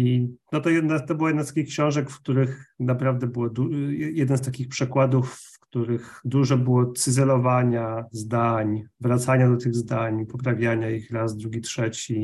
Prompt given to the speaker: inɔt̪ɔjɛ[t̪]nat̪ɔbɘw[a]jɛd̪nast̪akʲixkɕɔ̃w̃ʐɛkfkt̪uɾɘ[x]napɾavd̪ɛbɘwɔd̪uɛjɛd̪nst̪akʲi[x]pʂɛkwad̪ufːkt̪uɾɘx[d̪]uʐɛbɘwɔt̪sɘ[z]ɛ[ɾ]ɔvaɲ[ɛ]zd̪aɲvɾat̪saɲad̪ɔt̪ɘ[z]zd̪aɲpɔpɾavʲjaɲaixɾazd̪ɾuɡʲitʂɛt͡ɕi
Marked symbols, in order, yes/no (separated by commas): no, yes, yes, yes, yes, yes, no, no, no